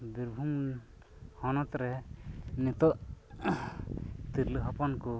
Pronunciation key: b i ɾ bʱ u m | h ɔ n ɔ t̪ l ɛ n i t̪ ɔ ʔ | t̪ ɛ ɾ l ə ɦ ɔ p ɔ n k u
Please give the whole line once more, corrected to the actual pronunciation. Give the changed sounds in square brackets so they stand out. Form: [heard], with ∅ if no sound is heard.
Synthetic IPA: b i ɾ bʱ u m | h ɔ n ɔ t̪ [ɾ] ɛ n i t̪ ɔ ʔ | t̪ [i] ɾ l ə ɦ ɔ p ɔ n k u